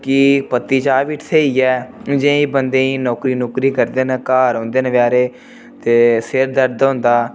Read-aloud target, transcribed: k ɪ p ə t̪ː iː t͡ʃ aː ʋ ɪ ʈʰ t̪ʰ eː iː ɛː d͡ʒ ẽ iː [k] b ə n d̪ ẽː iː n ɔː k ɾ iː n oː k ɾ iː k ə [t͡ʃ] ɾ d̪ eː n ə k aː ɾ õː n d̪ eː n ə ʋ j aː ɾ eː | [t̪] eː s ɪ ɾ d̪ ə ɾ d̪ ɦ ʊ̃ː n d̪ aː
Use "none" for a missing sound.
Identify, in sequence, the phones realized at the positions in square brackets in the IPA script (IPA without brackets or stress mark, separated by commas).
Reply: none, none, t̪